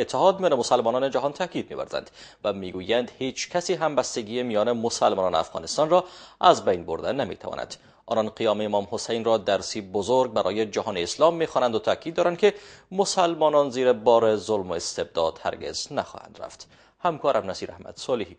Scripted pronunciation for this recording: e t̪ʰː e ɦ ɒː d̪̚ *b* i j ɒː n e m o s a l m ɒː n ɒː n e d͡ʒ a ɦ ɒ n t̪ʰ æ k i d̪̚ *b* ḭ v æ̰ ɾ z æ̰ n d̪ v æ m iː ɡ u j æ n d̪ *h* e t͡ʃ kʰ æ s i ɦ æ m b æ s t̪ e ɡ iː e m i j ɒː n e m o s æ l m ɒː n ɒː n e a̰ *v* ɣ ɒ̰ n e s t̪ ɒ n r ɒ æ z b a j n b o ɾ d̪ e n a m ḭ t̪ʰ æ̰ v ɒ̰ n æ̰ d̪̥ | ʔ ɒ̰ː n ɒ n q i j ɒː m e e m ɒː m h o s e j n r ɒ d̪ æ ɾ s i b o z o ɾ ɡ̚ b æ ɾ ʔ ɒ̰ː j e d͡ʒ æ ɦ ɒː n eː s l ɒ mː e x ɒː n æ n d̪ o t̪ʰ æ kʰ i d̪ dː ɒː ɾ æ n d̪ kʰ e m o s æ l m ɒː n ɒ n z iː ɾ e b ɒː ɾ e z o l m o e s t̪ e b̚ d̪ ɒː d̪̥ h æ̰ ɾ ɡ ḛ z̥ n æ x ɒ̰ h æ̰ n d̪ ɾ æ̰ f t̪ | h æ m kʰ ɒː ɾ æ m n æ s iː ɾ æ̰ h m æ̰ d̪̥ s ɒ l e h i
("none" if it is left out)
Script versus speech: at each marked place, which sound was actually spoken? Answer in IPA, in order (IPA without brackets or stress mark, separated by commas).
m, m, h, f